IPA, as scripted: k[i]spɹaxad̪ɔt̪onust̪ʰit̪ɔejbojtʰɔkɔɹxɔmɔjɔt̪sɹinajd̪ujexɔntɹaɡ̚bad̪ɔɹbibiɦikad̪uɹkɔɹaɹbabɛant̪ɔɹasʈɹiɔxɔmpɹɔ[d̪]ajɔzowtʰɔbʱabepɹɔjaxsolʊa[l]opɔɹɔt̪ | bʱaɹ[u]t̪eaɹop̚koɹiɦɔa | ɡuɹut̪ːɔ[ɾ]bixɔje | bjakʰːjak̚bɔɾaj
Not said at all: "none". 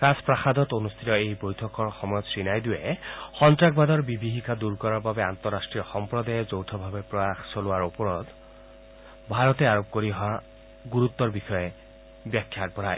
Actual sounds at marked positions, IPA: a, d̪, ɹ, ɔ, ɹ

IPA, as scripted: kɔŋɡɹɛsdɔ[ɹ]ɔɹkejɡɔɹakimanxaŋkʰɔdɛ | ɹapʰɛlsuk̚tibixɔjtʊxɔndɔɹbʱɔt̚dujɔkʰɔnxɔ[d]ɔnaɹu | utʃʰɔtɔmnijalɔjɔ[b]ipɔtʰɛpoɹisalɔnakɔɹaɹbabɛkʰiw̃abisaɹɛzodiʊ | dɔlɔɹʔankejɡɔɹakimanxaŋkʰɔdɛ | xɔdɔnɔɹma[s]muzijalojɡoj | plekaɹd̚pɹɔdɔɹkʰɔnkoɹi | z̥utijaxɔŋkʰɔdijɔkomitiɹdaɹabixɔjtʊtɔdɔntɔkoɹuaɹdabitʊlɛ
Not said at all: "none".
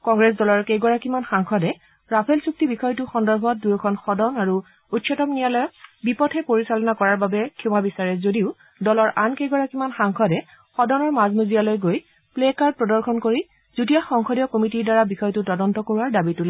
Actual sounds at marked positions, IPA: l, d, b, z

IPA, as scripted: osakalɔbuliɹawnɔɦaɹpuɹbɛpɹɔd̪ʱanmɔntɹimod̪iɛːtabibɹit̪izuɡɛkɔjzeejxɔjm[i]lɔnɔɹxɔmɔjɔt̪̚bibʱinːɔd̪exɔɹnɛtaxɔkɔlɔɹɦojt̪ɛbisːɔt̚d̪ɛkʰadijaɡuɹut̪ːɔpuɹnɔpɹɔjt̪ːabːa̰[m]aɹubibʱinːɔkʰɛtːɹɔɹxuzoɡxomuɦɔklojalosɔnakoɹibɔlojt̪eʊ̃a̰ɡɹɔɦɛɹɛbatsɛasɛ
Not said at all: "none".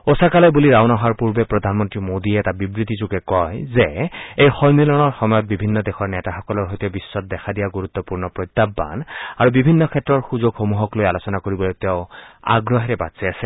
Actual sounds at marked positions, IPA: i, n

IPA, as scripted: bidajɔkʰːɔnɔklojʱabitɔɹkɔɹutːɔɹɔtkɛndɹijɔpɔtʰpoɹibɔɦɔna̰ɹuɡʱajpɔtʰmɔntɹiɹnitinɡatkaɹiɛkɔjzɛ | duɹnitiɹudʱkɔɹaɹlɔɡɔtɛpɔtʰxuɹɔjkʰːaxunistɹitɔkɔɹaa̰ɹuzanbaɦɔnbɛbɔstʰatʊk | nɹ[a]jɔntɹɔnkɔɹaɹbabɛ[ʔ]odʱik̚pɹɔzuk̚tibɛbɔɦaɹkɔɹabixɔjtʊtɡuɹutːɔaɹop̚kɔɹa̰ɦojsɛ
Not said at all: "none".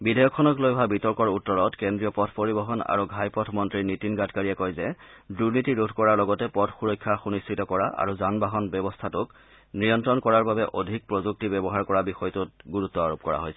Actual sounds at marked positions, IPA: i, ʔ

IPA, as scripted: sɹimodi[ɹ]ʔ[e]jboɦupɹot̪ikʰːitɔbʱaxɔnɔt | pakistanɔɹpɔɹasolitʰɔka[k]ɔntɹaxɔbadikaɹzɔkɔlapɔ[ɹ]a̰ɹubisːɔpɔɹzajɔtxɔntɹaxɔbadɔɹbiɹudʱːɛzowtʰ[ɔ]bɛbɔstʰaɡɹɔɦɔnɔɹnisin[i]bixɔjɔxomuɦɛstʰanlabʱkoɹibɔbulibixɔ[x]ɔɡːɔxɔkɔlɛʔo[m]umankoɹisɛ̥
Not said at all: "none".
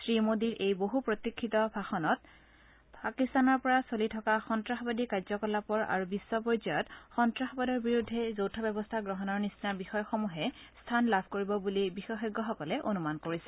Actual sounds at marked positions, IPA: ɹ, e, x, ɹ, ɔ, a, x, n

